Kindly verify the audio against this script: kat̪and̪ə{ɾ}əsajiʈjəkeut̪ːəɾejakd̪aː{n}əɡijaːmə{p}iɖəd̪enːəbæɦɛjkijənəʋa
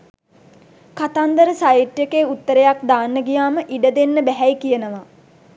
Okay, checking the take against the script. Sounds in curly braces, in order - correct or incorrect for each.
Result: correct, incorrect, incorrect

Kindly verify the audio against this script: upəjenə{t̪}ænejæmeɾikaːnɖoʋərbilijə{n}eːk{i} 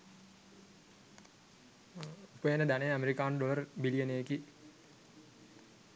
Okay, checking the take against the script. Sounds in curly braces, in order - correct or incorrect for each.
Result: incorrect, correct, correct

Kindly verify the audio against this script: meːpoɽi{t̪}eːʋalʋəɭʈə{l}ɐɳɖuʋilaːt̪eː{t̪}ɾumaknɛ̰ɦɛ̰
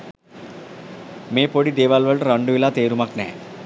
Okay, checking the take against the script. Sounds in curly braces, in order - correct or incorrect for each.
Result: incorrect, incorrect, incorrect

